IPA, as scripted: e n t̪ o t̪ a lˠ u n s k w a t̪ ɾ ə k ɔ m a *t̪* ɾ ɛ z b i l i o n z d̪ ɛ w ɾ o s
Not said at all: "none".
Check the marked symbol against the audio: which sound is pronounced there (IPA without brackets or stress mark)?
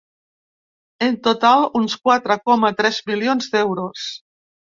t̪